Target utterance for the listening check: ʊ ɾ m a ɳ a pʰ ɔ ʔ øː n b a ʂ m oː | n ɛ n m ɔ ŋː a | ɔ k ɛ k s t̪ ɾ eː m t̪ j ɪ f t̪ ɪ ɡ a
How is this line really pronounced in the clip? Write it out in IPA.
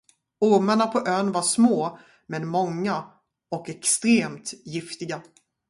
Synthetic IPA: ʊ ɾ m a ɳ a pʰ ɔ ʔ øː n v a ʂ m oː | m ɛ n m ɔ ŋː a | ɔ k ɛ k s t̪ ɾ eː m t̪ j ɪ f t̪ ɪ ɡ a